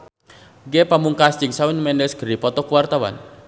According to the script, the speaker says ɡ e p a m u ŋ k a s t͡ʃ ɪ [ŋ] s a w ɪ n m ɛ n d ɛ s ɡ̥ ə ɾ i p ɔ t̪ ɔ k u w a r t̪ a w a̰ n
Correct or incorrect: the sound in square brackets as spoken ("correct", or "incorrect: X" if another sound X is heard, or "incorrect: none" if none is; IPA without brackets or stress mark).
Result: correct